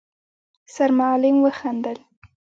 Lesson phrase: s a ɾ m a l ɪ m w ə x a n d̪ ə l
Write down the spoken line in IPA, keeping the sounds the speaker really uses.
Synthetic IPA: s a ɾ m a l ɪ m w ə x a n d̪ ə l